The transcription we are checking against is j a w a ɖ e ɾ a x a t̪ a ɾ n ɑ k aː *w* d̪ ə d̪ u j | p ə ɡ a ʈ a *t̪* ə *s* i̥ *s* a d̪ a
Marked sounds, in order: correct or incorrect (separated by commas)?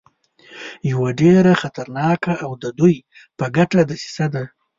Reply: correct, incorrect, correct, correct